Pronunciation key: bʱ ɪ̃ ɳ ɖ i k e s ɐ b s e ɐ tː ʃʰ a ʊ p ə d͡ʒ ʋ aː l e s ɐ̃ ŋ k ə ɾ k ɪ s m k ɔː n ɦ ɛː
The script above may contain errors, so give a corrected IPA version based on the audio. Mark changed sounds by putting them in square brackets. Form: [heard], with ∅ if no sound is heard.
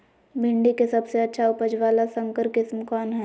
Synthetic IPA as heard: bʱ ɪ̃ ɳ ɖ i k e s ɐ b s e ɐ tː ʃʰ a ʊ p ə d͡ʒ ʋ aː l [a] s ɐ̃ ŋ k ə ɾ k ɪ s m k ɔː n ɦ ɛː